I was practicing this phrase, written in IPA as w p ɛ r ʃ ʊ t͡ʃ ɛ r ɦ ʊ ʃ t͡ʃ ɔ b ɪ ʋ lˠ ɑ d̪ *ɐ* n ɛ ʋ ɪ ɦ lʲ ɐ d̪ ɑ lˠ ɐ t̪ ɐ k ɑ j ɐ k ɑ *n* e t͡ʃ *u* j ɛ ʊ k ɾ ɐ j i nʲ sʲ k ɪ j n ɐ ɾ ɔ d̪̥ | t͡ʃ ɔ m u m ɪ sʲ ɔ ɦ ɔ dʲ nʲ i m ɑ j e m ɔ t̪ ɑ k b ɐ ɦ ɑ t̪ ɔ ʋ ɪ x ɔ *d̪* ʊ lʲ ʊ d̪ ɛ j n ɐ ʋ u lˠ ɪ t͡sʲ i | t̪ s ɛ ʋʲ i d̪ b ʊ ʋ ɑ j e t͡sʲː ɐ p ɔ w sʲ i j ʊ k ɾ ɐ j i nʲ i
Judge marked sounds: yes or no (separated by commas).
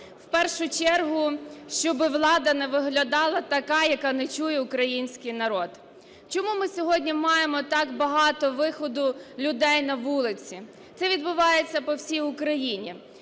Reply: yes, yes, yes, yes